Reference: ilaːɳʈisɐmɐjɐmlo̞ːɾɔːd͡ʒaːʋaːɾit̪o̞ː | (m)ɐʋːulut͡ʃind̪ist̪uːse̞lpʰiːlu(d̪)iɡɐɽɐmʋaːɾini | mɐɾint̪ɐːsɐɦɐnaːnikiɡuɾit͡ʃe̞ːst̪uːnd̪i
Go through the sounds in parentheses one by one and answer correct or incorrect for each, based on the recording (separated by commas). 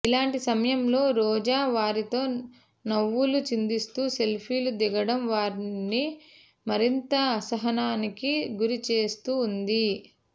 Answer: incorrect, correct